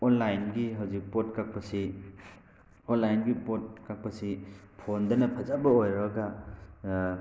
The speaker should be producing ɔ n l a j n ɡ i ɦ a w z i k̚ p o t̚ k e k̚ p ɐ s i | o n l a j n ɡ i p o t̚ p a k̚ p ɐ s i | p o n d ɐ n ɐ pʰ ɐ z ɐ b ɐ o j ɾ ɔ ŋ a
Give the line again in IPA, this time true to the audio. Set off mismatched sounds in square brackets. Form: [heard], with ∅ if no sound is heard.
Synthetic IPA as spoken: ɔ n l a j n ɡ i ɦ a w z i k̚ p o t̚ k [a] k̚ p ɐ s i | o n l a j n ɡ i p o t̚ [k] a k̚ p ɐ s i | [pʰ] o n d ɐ n ɐ pʰ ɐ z [a] b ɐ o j ɾ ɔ [ɡ] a

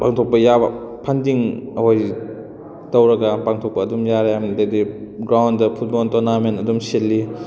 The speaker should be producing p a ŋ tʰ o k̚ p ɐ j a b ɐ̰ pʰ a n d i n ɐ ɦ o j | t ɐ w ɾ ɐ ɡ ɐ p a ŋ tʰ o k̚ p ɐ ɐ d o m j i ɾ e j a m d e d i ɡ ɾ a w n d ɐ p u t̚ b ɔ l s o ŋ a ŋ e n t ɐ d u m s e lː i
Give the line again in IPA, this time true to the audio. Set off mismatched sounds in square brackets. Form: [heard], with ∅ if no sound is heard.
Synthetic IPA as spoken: p a ŋ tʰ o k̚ p ɐ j a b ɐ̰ pʰ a n d i [ŋ] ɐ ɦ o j | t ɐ w ɾ ɐ ɡ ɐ p a ŋ tʰ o k̚ p ɐ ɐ d [u] m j [a] ɾ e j a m d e d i ɡ ɾ a w n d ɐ [pʰ] u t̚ b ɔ l [t] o [n] a [m] e n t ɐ d u m s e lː i

